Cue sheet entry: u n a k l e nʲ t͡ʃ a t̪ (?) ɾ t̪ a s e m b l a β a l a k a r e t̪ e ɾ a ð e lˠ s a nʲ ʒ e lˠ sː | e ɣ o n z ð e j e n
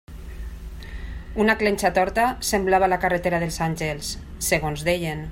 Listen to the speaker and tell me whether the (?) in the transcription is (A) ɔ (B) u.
A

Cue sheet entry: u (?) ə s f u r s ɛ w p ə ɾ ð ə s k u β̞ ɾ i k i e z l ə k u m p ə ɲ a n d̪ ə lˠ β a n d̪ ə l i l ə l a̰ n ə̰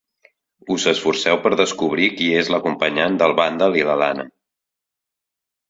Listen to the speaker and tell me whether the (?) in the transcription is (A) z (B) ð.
A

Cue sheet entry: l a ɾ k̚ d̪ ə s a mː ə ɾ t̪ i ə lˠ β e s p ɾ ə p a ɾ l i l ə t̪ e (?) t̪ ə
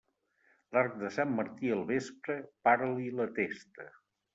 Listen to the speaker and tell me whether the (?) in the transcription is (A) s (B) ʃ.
A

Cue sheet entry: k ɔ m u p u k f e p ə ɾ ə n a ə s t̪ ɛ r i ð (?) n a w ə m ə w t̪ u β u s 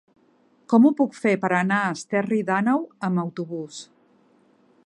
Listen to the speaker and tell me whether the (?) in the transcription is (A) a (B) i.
A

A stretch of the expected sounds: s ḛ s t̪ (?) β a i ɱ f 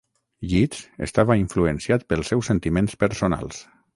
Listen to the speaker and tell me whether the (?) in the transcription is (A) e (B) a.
B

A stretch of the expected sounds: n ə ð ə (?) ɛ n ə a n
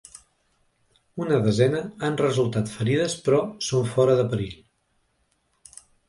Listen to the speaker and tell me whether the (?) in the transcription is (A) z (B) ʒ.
A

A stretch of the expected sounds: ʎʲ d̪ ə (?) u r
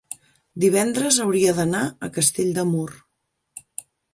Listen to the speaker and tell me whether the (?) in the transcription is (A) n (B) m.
B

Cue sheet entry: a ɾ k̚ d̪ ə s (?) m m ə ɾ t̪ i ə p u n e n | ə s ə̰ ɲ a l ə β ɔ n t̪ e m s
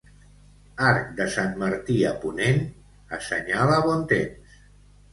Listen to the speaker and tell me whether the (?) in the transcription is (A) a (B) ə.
A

